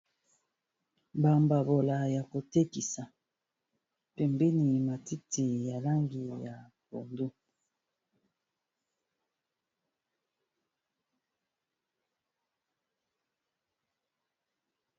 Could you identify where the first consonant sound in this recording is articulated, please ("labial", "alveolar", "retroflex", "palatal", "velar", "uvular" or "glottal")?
labial